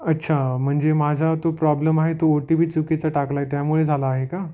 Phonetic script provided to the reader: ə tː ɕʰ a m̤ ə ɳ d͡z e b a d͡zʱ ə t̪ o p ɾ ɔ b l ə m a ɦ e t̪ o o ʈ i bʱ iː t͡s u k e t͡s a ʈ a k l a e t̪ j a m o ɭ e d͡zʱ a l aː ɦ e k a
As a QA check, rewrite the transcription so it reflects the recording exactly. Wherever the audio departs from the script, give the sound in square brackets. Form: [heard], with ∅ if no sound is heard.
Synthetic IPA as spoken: ə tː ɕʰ a m̤ ə ɳ d͡z e [m] a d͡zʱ [a] t̪ o p ɾ ɔ b l ə m a ɦ e t̪ o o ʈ i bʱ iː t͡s u k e t͡s a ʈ a k l a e t̪ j a m [u] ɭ e d͡zʱ a l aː ɦ e k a